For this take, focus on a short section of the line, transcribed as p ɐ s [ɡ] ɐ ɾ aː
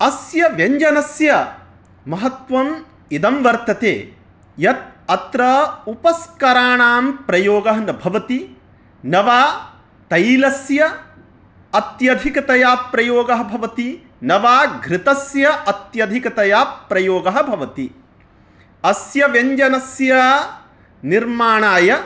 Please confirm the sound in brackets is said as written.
no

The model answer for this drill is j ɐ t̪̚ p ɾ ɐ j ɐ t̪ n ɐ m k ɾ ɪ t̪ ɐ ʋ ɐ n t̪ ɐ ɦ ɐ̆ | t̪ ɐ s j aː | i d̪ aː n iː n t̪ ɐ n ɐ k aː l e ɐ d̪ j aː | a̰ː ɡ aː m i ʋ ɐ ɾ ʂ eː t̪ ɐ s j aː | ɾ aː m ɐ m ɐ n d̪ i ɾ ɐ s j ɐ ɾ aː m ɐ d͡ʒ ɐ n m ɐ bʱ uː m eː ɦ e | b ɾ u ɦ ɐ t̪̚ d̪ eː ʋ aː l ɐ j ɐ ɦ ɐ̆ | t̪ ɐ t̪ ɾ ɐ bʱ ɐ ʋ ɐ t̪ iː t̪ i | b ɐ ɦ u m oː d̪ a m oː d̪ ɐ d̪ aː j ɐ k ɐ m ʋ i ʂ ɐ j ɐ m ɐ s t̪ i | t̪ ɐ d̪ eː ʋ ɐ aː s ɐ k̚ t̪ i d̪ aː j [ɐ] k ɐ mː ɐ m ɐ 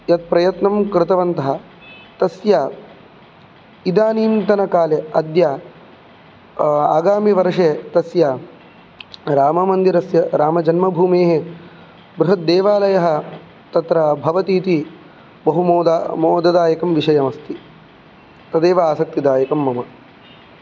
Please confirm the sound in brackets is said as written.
yes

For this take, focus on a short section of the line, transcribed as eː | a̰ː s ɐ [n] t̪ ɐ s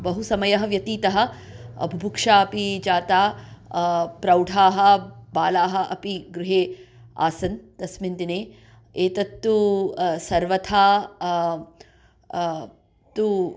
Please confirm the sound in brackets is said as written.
yes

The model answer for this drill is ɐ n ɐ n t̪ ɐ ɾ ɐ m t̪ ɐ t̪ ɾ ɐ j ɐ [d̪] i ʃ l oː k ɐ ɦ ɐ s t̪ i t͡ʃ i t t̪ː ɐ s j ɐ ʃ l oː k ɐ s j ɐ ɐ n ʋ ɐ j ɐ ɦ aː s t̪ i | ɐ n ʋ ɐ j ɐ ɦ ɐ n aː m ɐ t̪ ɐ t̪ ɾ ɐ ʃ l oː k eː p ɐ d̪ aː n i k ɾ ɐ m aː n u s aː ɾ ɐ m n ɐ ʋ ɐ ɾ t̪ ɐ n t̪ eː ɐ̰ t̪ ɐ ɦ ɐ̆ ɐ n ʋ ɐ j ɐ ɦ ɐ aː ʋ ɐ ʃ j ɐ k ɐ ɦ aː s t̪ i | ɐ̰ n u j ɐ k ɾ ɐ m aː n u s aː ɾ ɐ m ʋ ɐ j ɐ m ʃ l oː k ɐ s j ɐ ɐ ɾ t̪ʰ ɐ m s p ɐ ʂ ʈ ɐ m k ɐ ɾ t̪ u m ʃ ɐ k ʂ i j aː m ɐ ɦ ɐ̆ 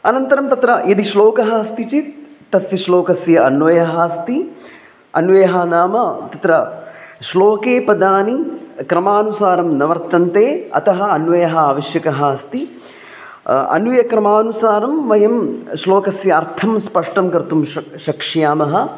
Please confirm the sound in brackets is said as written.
yes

